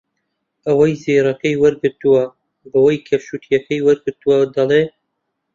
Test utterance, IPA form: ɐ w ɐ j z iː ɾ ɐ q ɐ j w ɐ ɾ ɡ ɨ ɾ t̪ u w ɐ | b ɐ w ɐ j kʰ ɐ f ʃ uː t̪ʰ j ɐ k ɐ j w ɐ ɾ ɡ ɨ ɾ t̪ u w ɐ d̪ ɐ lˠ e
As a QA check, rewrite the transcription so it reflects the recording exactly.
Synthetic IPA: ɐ w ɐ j z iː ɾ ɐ k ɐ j w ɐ ɾ ɡ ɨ ɾ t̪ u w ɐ | b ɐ w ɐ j kʰ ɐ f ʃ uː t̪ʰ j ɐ k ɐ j w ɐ ɾ ɡ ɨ ɾ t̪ u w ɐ d̪ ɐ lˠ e